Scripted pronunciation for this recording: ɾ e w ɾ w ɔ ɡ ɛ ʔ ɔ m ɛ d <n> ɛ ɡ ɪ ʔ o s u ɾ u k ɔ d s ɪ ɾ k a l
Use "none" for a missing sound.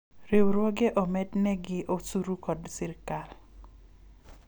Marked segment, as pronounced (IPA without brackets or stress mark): n